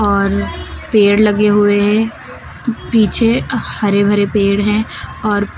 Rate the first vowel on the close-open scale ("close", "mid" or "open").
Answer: mid